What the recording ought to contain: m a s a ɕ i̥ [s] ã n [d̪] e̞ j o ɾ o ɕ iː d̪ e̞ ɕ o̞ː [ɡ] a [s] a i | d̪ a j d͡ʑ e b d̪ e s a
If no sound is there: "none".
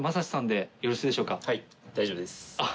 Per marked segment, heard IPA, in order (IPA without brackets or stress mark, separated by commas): s, d̪, k, h